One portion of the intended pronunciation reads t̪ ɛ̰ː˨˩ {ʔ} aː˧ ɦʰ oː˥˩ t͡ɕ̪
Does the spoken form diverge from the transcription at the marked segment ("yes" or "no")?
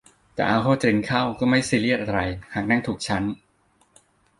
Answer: no